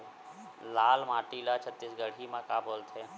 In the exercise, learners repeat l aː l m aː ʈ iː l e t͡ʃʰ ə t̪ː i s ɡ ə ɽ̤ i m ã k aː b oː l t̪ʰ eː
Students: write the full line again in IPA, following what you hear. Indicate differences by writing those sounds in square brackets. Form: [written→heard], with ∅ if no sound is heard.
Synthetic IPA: l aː l m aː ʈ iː l [e→a] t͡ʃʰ ə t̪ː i s ɡ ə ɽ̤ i m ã k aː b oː l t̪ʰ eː